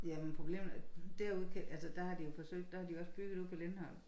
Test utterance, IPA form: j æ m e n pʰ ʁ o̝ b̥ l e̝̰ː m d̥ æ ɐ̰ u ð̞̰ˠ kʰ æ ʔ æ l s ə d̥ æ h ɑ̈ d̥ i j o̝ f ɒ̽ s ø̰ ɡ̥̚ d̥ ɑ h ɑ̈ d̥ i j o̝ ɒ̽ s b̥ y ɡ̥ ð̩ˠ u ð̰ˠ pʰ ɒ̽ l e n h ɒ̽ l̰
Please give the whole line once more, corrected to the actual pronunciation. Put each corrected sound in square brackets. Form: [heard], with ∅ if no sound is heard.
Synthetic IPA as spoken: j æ m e n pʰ ʁ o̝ b̥ l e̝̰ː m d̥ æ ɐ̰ u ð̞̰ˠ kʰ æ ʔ æ l s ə d̥ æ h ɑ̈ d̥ i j o̝ f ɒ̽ s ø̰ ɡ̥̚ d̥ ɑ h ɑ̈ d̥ i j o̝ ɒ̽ s b̥ y ɡ̥ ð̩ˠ u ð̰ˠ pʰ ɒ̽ l e n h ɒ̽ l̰